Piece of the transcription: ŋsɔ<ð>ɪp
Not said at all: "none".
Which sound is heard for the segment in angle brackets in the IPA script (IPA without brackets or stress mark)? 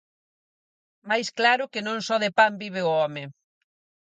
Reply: ð